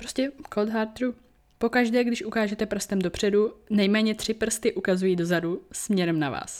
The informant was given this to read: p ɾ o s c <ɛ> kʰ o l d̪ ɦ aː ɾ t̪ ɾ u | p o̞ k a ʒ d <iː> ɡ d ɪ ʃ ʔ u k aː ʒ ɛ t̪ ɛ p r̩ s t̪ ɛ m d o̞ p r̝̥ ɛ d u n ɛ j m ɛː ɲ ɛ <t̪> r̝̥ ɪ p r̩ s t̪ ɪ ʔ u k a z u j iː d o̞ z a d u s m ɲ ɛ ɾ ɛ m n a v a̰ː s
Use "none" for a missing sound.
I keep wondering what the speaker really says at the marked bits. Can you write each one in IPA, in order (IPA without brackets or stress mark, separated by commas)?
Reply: ɛ, ɛː, t̪